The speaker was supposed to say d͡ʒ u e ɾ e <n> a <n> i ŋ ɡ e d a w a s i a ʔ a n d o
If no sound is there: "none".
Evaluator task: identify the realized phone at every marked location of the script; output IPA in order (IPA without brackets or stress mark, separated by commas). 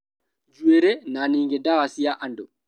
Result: n, n